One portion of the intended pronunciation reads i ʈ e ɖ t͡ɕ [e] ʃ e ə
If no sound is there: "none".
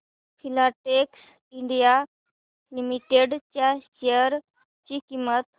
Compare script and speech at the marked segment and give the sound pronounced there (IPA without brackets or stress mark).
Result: a